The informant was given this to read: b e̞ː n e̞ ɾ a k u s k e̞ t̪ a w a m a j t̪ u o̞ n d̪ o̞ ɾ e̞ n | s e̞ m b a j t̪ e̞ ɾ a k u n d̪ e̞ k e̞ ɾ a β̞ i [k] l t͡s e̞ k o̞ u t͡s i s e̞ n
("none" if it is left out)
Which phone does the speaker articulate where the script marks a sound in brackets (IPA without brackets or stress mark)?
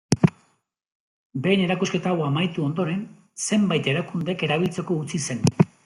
none